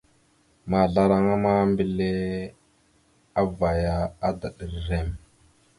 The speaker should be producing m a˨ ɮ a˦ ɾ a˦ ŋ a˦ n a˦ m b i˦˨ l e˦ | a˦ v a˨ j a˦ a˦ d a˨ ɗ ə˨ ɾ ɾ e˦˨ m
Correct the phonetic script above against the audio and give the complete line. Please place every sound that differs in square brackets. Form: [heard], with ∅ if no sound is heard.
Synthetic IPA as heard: m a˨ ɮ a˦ ɾ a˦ ŋ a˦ [m] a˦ m b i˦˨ l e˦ | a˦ v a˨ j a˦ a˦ d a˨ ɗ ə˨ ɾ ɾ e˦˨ m